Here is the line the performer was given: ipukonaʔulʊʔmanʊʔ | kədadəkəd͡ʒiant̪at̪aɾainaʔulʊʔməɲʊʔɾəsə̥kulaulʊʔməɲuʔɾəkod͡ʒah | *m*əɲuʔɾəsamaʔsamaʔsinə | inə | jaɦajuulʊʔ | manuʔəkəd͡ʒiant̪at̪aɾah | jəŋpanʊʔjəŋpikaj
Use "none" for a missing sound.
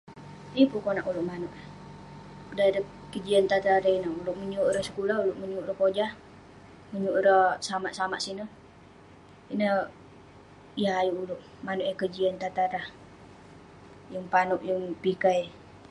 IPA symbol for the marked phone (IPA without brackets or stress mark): m